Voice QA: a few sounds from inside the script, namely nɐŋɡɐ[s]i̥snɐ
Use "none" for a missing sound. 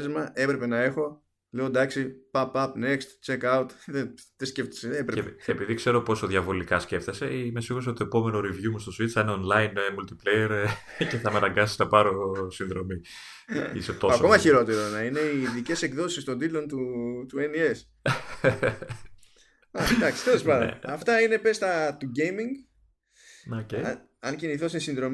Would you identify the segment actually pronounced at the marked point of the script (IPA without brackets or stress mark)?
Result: s